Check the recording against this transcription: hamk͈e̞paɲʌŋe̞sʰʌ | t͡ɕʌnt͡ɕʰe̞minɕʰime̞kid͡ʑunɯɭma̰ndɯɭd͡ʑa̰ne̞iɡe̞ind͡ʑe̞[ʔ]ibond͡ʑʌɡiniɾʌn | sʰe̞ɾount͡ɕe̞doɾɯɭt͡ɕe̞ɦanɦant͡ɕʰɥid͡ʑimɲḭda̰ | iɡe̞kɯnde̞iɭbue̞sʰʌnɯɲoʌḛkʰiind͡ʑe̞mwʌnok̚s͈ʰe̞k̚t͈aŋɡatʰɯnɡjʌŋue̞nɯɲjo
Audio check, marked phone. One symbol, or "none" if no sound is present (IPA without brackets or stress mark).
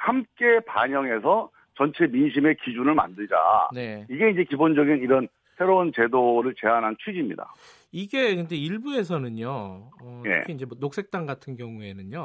k